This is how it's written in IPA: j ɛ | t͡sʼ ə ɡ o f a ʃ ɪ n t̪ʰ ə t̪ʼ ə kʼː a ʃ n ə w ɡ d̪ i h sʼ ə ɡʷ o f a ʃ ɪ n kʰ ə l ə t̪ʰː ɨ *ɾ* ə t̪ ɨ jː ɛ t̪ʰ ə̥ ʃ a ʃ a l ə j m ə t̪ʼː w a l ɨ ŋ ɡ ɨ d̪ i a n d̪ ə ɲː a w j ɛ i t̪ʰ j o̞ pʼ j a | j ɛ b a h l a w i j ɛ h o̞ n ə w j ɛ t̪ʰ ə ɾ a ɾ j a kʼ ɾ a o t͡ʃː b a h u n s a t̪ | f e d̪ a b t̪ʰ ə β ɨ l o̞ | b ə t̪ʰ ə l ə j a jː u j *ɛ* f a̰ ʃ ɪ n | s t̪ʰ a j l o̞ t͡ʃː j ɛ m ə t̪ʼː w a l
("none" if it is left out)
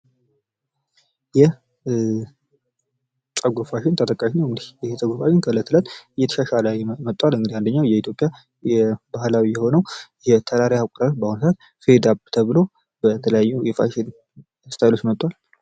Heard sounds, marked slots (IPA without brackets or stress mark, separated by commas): l, ɛ